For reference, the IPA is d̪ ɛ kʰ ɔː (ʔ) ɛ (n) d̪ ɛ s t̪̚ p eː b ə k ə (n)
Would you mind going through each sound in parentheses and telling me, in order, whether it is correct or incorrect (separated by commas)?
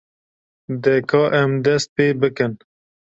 correct, incorrect, correct